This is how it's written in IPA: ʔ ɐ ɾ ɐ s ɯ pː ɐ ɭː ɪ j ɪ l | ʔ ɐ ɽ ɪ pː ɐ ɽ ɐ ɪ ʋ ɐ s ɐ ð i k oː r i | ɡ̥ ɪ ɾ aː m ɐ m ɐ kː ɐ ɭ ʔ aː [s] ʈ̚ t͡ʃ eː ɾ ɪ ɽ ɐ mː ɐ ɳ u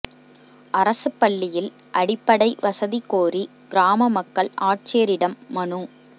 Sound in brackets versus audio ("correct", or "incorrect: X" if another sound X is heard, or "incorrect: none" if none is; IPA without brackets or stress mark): incorrect: none